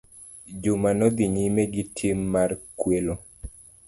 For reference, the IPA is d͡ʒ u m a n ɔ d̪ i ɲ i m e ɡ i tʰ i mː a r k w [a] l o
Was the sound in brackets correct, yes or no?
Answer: no